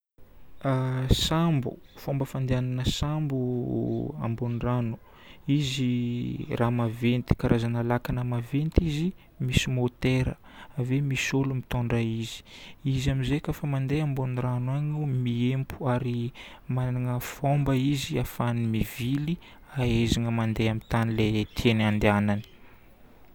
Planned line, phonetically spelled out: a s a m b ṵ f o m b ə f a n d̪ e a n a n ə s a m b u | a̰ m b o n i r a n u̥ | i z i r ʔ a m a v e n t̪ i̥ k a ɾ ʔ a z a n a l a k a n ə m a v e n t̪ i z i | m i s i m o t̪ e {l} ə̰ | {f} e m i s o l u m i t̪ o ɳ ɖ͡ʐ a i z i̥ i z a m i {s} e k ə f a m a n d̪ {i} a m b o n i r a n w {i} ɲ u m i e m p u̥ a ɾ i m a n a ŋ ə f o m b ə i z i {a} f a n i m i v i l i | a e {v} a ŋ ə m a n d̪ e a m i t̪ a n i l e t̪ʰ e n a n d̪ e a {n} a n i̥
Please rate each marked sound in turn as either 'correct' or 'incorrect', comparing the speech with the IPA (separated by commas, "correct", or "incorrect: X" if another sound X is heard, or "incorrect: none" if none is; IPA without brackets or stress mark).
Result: incorrect: ɾ, incorrect: v, incorrect: z, incorrect: e, incorrect: a, correct, incorrect: z, correct